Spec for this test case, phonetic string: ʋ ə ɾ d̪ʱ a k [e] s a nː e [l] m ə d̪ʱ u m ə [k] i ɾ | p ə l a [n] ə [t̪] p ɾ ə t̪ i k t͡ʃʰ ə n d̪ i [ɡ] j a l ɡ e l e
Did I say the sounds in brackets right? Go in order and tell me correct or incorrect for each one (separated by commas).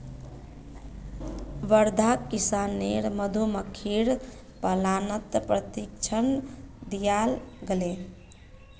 incorrect, incorrect, incorrect, correct, correct, incorrect